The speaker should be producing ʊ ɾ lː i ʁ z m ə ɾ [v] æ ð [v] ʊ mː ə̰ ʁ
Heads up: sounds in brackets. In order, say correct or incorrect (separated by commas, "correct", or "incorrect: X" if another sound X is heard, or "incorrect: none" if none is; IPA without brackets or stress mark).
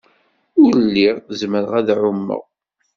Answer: incorrect: ʁ, incorrect: ʕ